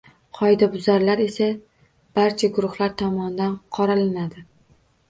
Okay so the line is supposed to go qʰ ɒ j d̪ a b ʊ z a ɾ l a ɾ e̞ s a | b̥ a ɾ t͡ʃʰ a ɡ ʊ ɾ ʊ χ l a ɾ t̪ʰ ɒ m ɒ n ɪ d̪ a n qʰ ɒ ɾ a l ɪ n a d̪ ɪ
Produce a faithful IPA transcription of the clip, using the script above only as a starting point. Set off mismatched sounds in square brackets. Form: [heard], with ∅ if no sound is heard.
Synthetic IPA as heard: qʰ ɒ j d̪ a b ʊ z a ɾ l a ɾ e̞ s a | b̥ a ɾ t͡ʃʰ a ɡ ʊ ɾ ʊ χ l a ɾ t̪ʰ ɒ m ɒ n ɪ d̪ a n qʰ ɒ ɾ a l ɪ n a d̪ ɪ